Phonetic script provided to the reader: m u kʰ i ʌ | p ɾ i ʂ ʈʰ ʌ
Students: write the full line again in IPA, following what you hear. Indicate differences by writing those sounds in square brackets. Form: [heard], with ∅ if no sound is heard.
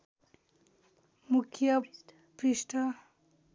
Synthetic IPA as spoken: m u kʰ [j] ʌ | p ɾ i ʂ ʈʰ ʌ